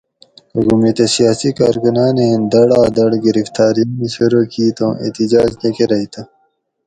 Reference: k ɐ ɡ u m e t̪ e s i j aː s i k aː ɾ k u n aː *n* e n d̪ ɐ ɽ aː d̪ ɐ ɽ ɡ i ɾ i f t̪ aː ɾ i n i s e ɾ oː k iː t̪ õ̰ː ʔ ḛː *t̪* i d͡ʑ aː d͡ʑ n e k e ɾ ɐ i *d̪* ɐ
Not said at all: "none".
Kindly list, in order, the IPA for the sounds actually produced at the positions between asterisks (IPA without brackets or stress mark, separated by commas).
n, t̪, t̪